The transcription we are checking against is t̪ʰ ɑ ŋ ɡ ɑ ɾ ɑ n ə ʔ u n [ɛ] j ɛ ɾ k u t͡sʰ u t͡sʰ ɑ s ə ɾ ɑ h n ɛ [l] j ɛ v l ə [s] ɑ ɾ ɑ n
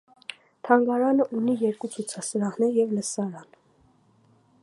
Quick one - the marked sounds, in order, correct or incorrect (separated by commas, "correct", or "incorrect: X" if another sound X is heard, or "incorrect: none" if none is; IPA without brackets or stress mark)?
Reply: incorrect: i, incorrect: ɾ, correct